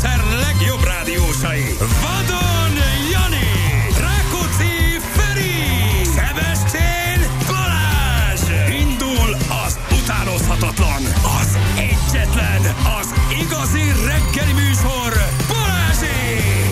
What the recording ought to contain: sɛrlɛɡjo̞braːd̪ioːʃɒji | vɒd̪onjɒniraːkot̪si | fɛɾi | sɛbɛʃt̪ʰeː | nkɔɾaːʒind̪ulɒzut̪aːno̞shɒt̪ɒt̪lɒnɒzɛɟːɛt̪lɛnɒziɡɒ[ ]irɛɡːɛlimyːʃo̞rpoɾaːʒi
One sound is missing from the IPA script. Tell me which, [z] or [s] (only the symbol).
z